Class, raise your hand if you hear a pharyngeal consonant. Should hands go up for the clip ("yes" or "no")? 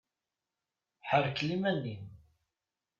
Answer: yes